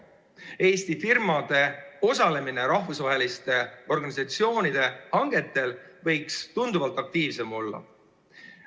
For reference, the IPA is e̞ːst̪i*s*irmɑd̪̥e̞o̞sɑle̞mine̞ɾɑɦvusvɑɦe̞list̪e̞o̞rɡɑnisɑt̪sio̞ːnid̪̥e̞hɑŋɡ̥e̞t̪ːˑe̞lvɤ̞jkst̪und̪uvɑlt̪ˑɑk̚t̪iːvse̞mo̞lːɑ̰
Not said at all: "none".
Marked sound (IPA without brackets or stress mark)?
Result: f